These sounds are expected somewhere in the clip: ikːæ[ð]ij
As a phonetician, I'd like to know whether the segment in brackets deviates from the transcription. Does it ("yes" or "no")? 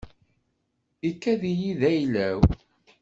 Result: no